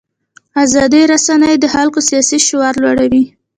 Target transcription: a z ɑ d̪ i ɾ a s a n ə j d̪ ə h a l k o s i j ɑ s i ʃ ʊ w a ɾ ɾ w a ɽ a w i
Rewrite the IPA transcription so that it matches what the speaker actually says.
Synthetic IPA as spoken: a z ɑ d̪ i ɾ a s a n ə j d̪ ə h a l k o s i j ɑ s i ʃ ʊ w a ɾ l w a ɽ a w i